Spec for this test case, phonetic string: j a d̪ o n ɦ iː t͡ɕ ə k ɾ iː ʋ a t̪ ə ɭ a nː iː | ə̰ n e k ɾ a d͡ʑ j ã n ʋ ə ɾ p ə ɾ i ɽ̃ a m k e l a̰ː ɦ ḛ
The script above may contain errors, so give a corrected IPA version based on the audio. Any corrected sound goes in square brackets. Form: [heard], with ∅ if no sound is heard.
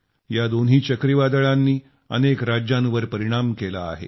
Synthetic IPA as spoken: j a d̪ o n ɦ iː t͡ɕ ə k ɾ [i] ʋ a [d̪] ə ɭ a nː iː | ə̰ n e k ɾ a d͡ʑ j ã n ʋ ə ɾ p ə ɾ i ɽ̃ a m k e l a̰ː ɦ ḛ